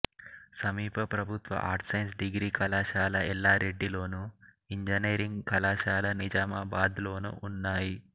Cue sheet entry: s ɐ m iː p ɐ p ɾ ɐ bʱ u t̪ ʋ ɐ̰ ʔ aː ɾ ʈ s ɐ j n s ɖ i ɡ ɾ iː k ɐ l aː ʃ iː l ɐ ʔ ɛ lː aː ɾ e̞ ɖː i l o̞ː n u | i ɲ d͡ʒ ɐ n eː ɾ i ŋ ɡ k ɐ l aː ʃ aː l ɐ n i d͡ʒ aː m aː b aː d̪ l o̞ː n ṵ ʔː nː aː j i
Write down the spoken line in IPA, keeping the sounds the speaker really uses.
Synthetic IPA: s ɐ m iː p ɐ p ɾ ɐ bʱ u t̪ ʋ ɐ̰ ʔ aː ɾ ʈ s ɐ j n s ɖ i ɡ ɾ iː k ɐ l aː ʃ aː l ɐ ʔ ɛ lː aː ɾ e̞ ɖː i l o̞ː n u | i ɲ d͡ʒ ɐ n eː ɾ i ŋ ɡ k ɐ l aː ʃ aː l ɐ n i d͡ʒ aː m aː b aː d̪ l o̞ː n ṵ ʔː nː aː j i

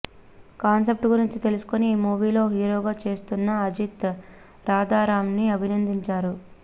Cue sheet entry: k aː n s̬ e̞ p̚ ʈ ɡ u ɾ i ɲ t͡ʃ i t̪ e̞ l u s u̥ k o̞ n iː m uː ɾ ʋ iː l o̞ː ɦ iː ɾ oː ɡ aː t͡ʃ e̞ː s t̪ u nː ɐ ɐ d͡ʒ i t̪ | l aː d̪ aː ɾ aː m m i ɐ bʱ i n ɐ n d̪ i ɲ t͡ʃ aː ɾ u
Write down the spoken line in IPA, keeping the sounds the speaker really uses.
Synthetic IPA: k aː n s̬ e̞ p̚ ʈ ɡ u ɾ i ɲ t͡ʃ i t̪ e̞ l u s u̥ k o̞ n iː m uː ʋ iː l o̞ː ɦ iː ɾ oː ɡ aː t͡ʃ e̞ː s t̪ u nː ɐ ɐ d͡ʒ i t̪ | ɾ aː d̪ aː ɾ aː m n i ɐ bʱ i n ɐ n d̪ i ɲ t͡ʃ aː ɾ u

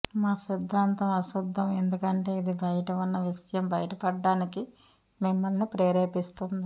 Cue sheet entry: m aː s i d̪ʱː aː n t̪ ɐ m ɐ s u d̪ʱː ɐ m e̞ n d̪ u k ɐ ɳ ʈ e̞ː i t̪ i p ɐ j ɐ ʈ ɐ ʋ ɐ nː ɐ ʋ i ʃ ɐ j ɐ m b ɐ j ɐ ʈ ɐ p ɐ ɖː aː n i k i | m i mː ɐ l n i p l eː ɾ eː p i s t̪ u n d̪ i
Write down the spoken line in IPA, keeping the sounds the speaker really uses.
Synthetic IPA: m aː s i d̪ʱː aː n t̪ ɐ m ɐ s u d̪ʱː ɐ m e̞ n d̪ u k ɐ ɳ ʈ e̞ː i d̪ i b ɐ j ɐ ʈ ɐ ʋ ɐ nː ɐ ʋ i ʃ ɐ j ɐ m b ɐ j ɐ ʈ ɐ p ɐ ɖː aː n i k i | m i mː ɐ l n i p ɾ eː ɾ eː p i s t̪ u n d̪ i

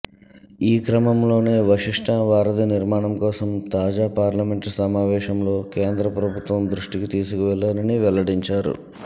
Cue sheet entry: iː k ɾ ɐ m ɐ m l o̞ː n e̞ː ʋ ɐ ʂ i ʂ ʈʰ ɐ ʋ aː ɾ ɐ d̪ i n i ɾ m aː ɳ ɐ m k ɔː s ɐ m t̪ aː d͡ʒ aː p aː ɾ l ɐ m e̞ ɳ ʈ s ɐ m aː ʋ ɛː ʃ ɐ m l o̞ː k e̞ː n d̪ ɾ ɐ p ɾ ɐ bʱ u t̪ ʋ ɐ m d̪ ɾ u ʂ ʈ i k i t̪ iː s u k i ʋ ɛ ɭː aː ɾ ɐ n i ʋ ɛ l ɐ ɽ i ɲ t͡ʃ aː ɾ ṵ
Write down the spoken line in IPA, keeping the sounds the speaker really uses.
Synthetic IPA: iː k ɾ ɐ m ɐ m l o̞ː n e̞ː ʋ ɐ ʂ i ʂ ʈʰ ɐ ʋ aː ɾ ɐ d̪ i n i ɾ m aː ɳ ɐ m k ɔː s ɐ m t̪ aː d͡ʒ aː p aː ɾ l ɐ m e̞ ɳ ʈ s ɐ m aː ʋ ɛː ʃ ɐ m l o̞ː k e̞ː n d̪ ɾ ɐ p ɾ ɐ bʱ u t̪ ʋ ɐ m d̪ ɾ u ʂ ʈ i k i t̪ iː s u k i ʋ ɛ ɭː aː ɾ ɐ n i ʋ ɛ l ɐ ɽ i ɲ t͡ʃ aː ɾ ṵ

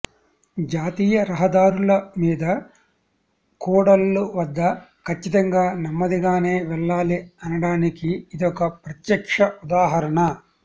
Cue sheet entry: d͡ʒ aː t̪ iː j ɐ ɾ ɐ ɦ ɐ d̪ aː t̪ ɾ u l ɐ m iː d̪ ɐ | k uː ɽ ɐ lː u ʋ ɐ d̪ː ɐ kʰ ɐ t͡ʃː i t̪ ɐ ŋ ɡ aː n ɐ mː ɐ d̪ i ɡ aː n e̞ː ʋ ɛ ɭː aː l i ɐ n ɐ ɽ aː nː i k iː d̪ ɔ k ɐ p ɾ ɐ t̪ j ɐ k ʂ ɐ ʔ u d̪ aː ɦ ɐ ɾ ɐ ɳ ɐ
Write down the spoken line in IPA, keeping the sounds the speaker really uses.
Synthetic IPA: d͡ʒ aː t̪ iː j ɐ ɾ ɐ ɦ ɐ d̪ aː ɾ u l ɐ m iː d̪ ɐ | k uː ɽ ɐ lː u ʋ ɐ d̪ː ɐ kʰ ɐ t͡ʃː i t̪ ɐ ŋ ɡ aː n ɐ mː ɐ d̪ i ɡ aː n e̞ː ʋ ɛ ɭː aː l i ɐ n ɐ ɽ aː n i k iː d̪ ɔ k ɐ p ɾ ɐ t̪ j ɐ k ʂ ɐ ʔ u d̪ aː ɦ ɐ ɾ ɐ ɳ ɐ

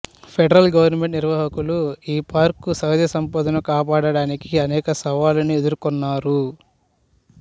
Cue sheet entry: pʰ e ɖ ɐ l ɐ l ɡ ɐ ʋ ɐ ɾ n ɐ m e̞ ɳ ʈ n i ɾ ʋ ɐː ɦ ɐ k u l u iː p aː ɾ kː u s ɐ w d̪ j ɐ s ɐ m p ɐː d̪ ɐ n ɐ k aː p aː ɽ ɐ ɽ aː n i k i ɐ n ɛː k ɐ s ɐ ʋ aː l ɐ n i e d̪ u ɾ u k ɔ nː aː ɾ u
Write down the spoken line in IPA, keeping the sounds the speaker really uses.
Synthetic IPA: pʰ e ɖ ɐ ɾ ɐ l ɡ ɐ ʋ ɐ ɾ n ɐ m e̞ ɳ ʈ n i ɾ ʋ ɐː ɦ ɐ k u l u iː p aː ɾ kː u s ɐ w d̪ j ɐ s ɐ m p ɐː d̪ ɐ n ɐ k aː p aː ɽ ɐ ɽ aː n i k i ɐ n ɛː k ɐ s ɐ ʋ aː l ɐ n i e d̪ u ɾ u k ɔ nː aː ɾ u

